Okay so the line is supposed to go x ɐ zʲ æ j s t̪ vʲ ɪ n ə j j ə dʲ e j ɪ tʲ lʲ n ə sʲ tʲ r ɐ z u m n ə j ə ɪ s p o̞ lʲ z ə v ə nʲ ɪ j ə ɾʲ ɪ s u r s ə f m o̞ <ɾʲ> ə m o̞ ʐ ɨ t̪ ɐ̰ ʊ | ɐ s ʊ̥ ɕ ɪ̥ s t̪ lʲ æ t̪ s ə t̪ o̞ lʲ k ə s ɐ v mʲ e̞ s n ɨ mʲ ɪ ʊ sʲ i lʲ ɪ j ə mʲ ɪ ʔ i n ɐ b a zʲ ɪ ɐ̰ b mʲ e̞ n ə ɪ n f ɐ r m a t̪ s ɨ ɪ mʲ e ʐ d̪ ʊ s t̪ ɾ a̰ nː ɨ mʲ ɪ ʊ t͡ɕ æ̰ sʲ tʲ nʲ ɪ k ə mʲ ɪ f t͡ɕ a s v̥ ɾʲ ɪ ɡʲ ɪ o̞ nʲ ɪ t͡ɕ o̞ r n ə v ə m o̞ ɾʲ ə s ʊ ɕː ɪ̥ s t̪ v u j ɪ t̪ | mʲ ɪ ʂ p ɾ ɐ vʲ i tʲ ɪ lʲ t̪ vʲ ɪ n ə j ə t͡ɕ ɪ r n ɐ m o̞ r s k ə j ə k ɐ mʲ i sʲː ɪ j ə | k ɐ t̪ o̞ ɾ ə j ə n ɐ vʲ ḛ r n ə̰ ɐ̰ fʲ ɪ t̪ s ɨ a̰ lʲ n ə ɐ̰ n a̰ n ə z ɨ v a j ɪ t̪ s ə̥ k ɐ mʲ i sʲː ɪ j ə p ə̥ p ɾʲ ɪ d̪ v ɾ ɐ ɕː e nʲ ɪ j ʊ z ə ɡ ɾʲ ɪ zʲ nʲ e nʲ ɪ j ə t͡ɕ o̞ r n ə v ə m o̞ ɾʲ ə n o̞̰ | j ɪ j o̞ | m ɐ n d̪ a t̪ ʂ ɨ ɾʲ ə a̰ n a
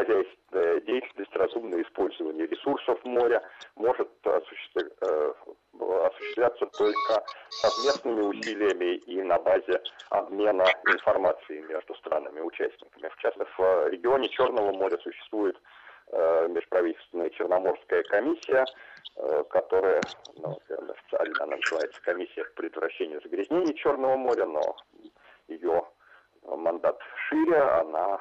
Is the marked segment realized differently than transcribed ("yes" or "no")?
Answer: no